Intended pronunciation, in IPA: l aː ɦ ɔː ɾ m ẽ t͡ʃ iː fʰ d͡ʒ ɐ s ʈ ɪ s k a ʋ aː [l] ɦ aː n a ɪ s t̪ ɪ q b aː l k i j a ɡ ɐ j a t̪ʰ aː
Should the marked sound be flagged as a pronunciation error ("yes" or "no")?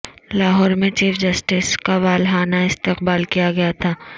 no